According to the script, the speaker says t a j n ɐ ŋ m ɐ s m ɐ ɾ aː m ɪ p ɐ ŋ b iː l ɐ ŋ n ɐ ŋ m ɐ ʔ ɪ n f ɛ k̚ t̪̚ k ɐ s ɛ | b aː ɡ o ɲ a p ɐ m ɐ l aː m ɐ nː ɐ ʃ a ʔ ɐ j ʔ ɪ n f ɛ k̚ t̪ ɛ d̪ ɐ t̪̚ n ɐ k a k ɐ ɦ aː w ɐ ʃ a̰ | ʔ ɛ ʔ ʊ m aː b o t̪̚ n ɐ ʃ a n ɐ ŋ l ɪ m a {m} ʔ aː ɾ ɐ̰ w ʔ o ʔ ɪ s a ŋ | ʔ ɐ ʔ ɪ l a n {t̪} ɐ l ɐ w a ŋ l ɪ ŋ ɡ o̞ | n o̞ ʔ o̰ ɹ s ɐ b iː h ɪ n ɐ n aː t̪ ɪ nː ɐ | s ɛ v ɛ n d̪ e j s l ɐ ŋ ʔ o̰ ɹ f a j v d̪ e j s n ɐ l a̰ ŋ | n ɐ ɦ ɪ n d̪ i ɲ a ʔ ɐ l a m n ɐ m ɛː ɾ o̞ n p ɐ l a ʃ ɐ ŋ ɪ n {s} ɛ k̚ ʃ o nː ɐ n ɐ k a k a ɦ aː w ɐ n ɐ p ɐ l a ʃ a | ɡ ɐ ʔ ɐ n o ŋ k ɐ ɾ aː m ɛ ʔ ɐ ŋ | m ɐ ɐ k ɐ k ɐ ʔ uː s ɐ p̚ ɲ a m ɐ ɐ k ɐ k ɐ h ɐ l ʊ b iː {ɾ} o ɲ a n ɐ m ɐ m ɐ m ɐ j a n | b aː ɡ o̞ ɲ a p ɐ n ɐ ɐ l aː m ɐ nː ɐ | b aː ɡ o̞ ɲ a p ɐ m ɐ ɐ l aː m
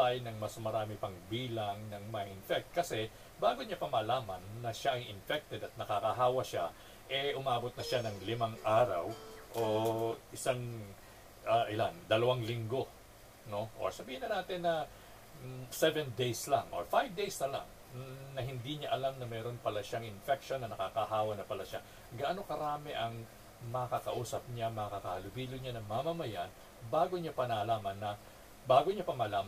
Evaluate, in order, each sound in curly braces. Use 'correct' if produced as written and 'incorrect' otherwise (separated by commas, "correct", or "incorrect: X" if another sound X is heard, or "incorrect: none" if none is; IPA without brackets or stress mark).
incorrect: ŋ, incorrect: d̪, incorrect: f, incorrect: l